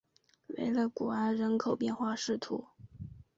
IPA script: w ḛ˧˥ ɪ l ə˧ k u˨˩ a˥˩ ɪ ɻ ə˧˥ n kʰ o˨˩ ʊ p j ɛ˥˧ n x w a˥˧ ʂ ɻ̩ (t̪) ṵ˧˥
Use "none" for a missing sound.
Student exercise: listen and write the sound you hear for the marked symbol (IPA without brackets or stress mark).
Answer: t̪ʰ